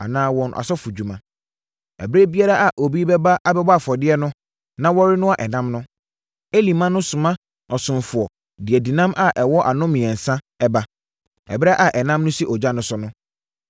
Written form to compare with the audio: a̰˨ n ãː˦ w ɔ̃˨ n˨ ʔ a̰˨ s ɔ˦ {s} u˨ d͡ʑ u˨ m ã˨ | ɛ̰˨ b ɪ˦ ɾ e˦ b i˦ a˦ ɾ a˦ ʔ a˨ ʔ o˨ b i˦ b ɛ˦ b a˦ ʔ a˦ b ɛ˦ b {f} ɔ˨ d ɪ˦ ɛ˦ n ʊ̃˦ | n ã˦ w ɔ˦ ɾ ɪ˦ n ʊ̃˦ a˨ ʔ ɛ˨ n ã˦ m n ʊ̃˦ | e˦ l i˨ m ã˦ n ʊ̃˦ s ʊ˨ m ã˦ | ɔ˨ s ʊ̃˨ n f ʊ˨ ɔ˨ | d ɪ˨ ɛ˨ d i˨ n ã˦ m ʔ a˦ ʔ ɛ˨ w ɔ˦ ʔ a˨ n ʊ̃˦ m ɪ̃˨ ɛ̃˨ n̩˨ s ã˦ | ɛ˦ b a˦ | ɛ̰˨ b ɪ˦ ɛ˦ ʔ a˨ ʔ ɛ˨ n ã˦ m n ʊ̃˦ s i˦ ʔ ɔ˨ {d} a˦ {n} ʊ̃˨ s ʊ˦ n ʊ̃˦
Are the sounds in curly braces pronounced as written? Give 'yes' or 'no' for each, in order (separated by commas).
no, yes, no, yes